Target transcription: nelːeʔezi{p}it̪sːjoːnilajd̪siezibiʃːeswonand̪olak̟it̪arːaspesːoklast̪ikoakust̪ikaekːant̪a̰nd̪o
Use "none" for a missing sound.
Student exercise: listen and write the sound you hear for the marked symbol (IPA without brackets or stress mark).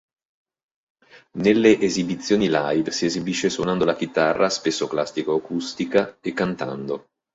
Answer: b